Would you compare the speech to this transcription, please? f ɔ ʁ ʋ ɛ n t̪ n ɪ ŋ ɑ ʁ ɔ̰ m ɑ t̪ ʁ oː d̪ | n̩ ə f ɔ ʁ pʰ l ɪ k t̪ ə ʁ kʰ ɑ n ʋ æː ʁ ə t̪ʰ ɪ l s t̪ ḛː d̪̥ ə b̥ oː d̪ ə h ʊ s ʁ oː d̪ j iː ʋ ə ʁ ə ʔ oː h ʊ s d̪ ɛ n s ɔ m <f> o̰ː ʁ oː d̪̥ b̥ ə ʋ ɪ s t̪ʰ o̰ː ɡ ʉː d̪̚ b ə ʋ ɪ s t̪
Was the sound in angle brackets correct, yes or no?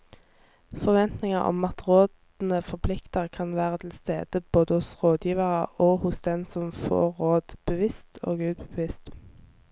yes